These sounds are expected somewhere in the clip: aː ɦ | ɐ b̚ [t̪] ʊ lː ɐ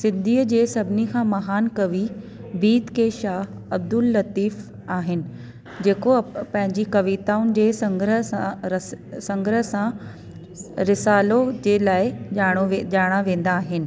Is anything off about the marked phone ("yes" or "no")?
yes